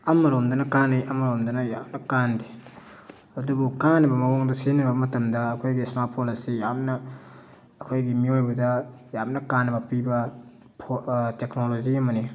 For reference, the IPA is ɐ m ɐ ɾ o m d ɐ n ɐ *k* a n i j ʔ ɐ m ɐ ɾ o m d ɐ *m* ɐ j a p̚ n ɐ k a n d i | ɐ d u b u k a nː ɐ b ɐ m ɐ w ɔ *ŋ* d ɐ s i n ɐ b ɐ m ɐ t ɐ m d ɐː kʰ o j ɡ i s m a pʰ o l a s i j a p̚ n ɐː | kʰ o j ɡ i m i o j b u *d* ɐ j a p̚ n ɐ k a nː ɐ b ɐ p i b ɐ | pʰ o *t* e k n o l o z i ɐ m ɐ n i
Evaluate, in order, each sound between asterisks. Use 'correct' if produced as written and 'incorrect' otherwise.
correct, incorrect: n, correct, correct, correct

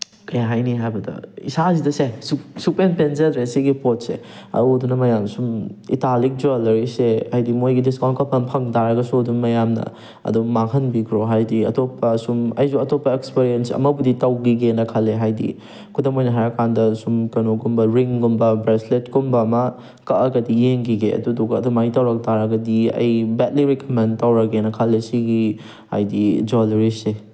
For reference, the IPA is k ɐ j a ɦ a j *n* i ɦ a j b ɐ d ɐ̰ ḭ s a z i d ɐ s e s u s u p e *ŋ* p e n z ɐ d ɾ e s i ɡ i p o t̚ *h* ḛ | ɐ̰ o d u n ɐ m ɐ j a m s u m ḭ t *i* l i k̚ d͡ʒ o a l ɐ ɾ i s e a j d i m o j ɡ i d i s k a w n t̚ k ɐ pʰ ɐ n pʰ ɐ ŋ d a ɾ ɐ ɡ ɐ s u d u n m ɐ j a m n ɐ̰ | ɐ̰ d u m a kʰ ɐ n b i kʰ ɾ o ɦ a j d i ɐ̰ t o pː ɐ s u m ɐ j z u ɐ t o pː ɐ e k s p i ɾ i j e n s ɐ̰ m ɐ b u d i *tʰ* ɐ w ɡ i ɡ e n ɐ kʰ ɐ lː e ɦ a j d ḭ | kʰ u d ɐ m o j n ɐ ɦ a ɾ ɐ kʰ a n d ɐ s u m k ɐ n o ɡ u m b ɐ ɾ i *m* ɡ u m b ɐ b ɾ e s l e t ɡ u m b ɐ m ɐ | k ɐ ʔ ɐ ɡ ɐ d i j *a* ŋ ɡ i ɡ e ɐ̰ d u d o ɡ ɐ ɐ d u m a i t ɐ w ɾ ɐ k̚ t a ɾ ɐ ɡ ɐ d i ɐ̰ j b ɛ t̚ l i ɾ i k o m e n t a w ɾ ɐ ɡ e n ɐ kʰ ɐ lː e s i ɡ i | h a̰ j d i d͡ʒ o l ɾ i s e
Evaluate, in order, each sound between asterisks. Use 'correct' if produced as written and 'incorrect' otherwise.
correct, incorrect: n, incorrect: s, incorrect: a, incorrect: t, incorrect: ŋ, incorrect: e

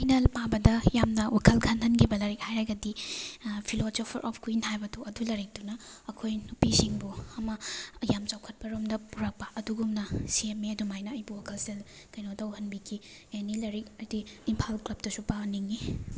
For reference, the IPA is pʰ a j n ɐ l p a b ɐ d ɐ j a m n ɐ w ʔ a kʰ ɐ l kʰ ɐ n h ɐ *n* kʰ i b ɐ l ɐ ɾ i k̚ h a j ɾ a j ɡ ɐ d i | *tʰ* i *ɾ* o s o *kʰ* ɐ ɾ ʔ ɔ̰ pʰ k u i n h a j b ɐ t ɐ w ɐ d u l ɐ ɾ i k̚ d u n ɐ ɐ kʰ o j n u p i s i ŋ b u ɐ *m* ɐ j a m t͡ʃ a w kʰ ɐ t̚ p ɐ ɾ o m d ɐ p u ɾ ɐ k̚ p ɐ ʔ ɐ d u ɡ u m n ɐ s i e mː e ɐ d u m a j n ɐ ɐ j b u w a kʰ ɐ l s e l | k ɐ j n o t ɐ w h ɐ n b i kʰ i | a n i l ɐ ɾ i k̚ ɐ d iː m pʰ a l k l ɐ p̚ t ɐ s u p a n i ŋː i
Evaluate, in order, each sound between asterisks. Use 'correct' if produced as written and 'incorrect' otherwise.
correct, incorrect: pʰ, incorrect: l, incorrect: pʰ, correct

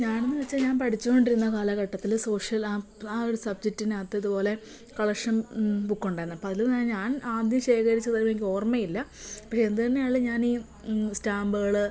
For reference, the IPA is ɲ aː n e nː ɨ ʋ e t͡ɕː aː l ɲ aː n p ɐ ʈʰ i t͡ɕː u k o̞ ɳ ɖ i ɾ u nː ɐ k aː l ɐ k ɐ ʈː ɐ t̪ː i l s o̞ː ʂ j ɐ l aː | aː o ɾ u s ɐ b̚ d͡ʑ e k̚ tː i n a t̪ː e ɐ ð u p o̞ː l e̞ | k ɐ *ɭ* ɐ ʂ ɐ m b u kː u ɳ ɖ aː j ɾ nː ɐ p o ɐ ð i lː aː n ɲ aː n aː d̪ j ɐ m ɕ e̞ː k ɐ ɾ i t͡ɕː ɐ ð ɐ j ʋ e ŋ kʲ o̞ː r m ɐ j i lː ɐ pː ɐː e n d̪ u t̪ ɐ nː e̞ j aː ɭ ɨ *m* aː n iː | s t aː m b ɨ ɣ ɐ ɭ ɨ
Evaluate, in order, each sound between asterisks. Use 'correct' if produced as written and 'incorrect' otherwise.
correct, incorrect: ɲ

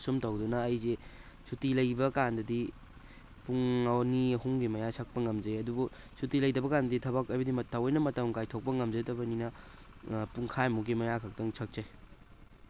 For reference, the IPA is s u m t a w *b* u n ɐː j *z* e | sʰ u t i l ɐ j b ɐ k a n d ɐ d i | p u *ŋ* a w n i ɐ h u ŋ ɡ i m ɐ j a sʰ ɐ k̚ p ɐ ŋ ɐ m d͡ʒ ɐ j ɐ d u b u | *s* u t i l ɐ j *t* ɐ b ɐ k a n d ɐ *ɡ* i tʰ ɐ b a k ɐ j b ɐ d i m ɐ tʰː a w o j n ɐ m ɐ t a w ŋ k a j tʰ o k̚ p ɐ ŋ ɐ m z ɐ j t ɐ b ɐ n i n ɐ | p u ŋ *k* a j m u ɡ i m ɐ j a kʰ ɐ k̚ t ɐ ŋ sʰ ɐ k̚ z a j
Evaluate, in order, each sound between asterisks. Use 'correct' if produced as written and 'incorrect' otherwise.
incorrect: d, correct, correct, correct, incorrect: d, incorrect: d, incorrect: kʰ

